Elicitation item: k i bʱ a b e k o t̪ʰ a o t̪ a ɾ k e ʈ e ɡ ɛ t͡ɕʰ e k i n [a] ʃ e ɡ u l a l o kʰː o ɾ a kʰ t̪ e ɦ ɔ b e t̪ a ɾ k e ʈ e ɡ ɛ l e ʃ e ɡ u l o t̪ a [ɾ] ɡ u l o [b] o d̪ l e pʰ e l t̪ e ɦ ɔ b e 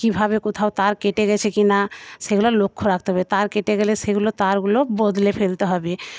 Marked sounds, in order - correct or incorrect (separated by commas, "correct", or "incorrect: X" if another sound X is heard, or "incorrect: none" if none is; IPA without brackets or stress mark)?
correct, correct, correct